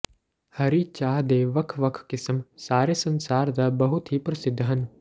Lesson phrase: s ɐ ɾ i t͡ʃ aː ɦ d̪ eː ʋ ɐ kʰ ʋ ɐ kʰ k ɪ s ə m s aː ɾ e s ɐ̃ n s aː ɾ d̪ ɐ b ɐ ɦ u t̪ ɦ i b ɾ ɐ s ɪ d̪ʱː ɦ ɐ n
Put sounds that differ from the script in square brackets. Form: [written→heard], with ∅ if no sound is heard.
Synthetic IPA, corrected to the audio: [s→h] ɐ ɾ i t͡ʃ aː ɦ d̪ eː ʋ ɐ kʰ ʋ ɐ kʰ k ɪ s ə m s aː ɾ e s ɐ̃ n s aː ɾ d̪ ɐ b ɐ ɦ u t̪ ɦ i [b→p] ɾ ɐ s ɪ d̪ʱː ɦ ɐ n